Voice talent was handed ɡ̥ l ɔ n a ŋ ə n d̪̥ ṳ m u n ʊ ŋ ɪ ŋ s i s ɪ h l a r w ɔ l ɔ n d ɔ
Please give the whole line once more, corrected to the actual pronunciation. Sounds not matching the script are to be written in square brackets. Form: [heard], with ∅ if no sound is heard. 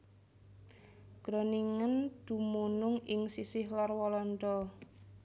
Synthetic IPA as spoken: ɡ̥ [ɾ] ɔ n [i] ŋ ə n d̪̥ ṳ m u n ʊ ŋ ɪ ŋ s i s ɪ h l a r w ɔ l ɔ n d ɔ